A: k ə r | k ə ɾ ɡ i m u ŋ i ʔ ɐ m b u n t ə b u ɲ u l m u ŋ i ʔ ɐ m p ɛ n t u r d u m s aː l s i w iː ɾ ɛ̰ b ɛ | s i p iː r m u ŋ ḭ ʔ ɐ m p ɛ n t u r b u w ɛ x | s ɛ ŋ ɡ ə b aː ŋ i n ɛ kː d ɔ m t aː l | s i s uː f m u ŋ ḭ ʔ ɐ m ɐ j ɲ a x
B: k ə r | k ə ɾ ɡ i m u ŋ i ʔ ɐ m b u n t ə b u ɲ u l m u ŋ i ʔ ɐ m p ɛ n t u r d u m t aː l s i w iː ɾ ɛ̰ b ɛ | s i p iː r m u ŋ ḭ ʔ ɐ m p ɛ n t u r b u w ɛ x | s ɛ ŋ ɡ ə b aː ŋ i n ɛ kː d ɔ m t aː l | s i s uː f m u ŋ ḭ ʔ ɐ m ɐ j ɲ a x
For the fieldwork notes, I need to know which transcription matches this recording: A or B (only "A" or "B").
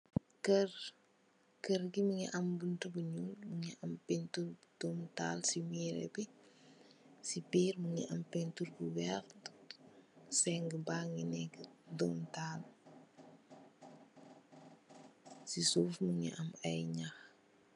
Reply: B